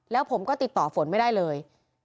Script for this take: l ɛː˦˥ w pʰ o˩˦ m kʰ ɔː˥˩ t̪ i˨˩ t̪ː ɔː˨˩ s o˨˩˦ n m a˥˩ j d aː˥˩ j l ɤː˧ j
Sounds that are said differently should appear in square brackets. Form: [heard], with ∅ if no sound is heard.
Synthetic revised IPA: l ɛː˦˥ w pʰ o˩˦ m [k] ɔː˥˩ t̪ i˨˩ t̪ː ɔː˨˩ [f] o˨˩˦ n m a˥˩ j d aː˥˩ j l ɤː˧ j

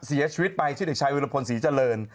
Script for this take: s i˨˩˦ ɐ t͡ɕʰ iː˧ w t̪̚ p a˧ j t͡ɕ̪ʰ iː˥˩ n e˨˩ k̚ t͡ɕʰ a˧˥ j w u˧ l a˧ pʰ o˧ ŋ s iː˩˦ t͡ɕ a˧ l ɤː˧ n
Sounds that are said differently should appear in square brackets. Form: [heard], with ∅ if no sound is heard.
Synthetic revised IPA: s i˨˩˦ ɐ t͡ɕʰ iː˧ w t̪̚ p a˧ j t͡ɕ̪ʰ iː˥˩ [d] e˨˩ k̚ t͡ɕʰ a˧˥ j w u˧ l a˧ pʰ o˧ [n] s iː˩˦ t͡ɕ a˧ l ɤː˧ n

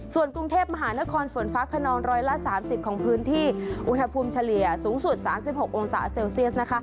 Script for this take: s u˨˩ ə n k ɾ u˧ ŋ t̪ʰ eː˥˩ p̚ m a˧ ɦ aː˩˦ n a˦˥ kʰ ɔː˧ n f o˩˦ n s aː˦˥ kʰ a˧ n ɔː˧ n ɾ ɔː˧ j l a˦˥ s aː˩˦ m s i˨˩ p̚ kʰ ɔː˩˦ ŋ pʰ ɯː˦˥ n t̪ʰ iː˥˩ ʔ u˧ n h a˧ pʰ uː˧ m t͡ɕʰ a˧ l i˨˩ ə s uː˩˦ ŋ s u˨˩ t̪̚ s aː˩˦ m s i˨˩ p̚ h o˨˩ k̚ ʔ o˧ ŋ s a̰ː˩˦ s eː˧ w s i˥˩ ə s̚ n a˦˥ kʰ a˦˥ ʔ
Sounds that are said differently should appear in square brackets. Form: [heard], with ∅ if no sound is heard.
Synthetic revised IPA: s u˨˩ ə n k ɾ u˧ ŋ t̪ʰ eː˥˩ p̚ m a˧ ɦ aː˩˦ n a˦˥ kʰ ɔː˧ n f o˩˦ n [f] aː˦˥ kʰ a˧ n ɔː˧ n ɾ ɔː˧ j l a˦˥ s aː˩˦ m s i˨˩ p̚ kʰ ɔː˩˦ ŋ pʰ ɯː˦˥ n t̪ʰ iː˥˩ ʔ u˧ n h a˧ pʰ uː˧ m t͡ɕʰ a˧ l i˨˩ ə s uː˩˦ ŋ s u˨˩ t̪̚ s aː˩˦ m s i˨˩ p̚ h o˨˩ k̚ ʔ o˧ ŋ s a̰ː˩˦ s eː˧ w s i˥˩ ə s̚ n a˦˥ kʰ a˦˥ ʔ

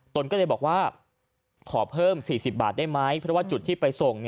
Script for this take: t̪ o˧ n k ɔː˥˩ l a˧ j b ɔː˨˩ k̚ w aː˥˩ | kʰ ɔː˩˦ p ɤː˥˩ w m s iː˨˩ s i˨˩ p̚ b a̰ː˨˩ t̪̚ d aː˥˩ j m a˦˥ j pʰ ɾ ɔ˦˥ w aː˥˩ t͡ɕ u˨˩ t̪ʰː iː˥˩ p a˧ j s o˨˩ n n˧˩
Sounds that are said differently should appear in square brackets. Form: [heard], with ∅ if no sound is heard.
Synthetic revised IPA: t̪ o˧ n k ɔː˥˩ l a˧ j b ɔː˨˩ k̚ w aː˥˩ | kʰ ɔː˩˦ [pʰ] ɤː˥˩ [∅] m s iː˨˩ s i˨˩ p̚ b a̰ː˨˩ t̪̚ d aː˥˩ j m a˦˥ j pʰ ɾ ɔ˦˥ w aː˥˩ t͡ɕ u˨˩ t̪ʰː iː˥˩ p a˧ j s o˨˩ [ŋ] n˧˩

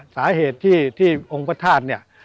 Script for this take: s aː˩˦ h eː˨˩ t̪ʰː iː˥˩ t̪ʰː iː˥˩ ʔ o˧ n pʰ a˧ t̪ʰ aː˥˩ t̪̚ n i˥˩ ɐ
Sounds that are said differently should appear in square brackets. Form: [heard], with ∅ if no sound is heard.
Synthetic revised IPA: s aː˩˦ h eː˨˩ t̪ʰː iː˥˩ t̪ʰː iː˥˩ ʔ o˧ [ŋ] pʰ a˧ t̪ʰ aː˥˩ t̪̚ n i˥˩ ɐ

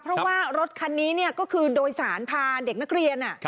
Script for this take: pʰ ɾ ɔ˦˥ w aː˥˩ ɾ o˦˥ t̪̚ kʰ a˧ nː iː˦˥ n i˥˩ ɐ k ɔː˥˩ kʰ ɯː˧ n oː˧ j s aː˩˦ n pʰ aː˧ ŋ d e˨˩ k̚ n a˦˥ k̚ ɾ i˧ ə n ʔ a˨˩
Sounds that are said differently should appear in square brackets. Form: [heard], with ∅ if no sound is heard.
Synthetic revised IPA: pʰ ɾ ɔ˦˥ w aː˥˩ ɾ o˦˥ t̪̚ kʰ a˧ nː iː˦˥ n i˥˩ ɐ k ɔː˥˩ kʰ ɯː˧ [d] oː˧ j s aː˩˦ n pʰ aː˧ [n] d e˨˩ k̚ n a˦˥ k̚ ɾ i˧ ə n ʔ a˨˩

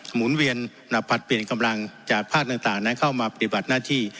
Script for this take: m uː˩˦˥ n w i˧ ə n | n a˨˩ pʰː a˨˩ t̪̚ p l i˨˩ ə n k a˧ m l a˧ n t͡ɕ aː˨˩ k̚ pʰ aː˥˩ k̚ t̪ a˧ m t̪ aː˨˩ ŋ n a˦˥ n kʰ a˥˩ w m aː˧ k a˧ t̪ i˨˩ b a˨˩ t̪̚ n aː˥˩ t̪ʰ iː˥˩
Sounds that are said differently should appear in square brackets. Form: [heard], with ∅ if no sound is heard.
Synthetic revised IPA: m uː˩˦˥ n w i˧ ə n | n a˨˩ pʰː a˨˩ t̪̚ p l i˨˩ ə n k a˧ m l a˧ [ŋ] t͡ɕ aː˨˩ k̚ pʰ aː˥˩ k̚ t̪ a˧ [ŋ] t̪ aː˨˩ ŋ n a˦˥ n kʰ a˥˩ w m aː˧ [p] a˧ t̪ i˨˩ b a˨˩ t̪̚ n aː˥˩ t̪ʰ iː˥˩

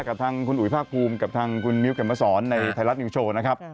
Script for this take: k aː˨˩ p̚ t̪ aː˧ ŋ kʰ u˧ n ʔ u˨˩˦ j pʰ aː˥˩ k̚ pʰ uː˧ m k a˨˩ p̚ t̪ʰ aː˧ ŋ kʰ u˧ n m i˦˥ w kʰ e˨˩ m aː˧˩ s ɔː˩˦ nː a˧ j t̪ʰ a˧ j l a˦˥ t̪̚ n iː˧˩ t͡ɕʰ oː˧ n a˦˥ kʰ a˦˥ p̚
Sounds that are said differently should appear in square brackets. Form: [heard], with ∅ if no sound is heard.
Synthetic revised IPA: k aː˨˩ p̚ [t̪ʰ] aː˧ ŋ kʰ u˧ n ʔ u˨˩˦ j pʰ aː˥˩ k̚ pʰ uː˧ m k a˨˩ p̚ t̪ʰ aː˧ ŋ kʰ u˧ n m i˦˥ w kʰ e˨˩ m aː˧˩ s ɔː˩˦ nː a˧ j t̪ʰ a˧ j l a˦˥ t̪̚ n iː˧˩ t͡ɕʰ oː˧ n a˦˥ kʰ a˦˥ p̚

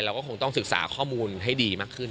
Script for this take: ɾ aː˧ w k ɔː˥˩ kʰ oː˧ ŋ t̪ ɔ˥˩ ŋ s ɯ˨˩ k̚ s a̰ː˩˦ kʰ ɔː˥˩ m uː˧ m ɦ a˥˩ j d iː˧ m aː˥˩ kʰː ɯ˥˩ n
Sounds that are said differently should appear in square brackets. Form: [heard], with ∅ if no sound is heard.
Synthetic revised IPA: ɾ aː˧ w k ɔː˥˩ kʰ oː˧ ŋ t̪ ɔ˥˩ ŋ s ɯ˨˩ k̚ s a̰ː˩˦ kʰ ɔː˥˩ m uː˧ [n] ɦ a˥˩ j d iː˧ m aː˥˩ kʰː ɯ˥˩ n

